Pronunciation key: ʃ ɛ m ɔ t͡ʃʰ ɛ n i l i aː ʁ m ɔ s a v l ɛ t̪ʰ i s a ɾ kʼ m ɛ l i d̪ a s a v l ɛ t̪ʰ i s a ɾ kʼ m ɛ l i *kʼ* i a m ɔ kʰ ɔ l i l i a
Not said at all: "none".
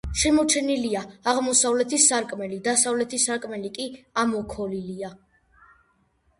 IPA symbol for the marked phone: kʼ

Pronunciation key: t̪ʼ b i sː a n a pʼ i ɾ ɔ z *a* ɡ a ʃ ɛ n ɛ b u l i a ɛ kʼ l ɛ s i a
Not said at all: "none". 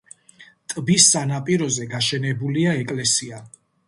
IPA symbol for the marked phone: ɛ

